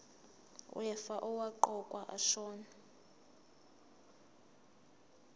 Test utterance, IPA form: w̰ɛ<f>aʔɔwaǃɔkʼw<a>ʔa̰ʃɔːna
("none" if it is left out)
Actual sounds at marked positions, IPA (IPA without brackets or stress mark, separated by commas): f, a